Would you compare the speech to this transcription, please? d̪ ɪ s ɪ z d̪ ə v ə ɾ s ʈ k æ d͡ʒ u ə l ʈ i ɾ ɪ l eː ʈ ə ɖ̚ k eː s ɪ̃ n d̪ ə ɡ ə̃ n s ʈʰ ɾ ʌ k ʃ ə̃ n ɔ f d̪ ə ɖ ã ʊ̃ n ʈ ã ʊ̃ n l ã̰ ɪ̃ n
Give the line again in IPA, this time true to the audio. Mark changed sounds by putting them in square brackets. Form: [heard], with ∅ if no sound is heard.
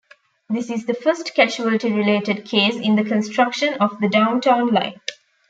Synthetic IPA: d̪ ɪ s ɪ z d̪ ə [f] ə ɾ s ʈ k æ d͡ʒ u ə l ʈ i ɾ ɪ l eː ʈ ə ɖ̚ [kʰ] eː s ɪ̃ n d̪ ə [k] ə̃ n s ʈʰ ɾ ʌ k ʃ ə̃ n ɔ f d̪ ə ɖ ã ʊ̃ n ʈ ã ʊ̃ n l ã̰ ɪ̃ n

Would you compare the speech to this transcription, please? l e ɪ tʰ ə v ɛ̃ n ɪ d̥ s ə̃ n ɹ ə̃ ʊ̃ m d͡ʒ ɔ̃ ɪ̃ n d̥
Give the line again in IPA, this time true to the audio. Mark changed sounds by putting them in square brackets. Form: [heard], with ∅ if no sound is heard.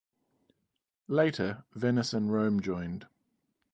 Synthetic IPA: l e ɪ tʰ ə v [ɛ] n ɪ [∅] s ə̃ n ɹ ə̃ ʊ̃ m d͡ʒ ɔ̃ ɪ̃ n d̥

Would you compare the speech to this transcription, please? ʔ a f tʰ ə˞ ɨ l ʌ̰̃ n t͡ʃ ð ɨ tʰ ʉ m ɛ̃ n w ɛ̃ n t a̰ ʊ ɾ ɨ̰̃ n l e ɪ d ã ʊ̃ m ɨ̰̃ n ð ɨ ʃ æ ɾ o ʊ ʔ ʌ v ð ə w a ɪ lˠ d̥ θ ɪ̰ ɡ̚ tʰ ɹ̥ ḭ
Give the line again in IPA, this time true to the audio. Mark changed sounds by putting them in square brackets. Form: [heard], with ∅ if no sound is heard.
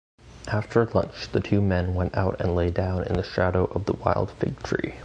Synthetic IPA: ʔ [æ] f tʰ ə˞ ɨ l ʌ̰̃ n t͡ʃ ð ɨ tʰ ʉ m ɛ̃ n w ɛ̃ n t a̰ ʊ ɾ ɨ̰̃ n l e ɪ d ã ʊ̃ [n] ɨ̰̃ n ð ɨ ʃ æ ɾ o ʊ ʔ ʌ v ð ə w a ɪ lˠ d̥ [f] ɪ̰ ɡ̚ tʰ ɹ̥ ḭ

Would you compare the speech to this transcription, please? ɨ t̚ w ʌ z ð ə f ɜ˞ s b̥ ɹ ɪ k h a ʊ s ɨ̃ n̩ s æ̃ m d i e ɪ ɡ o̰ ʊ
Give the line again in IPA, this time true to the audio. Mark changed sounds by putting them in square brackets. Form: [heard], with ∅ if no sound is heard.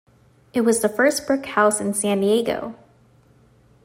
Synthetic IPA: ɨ t̚ w ʌ z ð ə f ɜ˞ s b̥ ɹ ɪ k h a ʊ s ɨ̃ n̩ s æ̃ [n] d i e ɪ ɡ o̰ ʊ

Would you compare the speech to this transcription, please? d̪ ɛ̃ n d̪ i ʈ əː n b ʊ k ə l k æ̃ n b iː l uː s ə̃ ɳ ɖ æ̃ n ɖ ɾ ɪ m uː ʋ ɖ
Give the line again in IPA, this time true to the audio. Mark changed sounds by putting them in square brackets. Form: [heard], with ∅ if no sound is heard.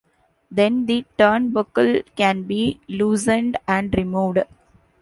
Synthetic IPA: d̪ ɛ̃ n d̪ i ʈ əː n b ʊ k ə l k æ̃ n b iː l uː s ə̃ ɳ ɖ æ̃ [ɳ] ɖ ɾ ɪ m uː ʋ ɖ

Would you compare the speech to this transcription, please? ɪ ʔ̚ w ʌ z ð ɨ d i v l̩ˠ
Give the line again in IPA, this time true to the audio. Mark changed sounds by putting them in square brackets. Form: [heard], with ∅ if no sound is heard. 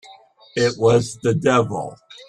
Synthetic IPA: ɪ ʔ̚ w ʌ z ð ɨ d [ɛ] v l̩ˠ

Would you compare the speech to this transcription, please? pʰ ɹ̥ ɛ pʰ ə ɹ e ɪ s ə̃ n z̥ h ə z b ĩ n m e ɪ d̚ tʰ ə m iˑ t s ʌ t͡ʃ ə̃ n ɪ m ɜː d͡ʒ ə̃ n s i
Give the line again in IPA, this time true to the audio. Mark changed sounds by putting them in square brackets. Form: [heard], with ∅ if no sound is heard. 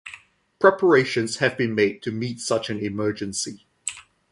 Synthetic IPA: pʰ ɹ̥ ɛ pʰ ə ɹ e ɪ [ʃ] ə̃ n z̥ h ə [v] b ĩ n m e ɪ d̚ tʰ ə m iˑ t s ʌ t͡ʃ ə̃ n ɪ m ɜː d͡ʒ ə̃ n s i

